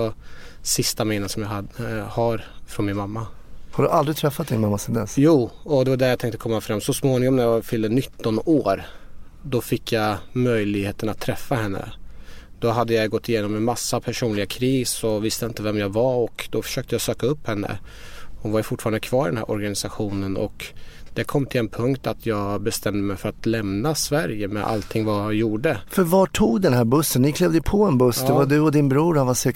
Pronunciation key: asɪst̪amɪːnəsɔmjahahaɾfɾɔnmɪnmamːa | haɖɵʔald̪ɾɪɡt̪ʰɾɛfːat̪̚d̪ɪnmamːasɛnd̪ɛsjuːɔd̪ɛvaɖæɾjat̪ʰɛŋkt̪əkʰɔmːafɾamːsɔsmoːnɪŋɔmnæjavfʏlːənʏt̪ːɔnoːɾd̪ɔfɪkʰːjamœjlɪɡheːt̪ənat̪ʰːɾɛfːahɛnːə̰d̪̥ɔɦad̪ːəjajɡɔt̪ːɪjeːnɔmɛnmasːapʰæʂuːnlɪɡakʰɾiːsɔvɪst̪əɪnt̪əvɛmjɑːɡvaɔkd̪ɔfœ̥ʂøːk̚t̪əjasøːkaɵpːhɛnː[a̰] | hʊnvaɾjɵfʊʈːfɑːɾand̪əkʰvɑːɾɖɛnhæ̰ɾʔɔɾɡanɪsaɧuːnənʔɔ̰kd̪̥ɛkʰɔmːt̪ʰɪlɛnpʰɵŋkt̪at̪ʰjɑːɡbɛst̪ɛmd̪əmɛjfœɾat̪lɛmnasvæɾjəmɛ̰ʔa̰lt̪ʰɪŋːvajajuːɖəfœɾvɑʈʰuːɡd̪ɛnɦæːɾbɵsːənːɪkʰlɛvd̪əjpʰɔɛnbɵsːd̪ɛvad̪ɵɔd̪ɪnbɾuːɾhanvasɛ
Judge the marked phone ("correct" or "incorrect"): incorrect